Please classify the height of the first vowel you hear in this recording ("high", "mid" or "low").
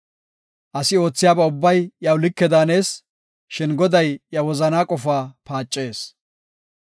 low